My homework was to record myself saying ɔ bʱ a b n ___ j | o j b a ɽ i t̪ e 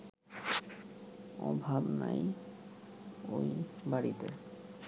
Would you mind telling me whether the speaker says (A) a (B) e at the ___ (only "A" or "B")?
A